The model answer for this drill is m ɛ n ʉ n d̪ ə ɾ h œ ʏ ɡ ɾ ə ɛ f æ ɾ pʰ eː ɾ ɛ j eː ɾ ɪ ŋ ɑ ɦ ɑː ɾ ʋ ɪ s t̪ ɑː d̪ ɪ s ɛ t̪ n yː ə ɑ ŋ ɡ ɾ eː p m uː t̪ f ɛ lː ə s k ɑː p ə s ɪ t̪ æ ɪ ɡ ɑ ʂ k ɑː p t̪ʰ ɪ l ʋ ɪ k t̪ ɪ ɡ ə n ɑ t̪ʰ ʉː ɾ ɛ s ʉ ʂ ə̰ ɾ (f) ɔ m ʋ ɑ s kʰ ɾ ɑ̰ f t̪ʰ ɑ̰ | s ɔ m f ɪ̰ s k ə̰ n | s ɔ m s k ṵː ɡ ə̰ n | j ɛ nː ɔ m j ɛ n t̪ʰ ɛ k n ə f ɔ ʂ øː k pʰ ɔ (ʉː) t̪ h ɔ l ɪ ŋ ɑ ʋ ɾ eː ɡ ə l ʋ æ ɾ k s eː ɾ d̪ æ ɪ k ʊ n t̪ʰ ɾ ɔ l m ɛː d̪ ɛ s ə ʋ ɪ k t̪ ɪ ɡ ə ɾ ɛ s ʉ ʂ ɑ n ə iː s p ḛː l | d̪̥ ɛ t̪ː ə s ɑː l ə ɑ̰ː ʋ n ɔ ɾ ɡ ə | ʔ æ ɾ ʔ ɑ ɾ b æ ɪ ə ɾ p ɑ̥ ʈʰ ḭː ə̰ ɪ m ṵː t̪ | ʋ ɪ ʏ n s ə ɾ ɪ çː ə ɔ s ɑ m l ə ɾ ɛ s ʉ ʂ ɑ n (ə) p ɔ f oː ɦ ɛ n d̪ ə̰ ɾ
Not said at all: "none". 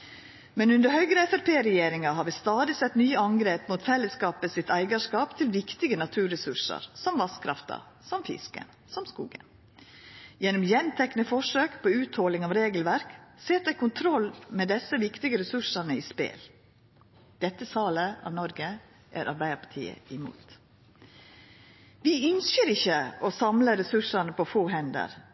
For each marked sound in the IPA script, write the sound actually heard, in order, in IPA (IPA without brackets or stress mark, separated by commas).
s, ʉː, ə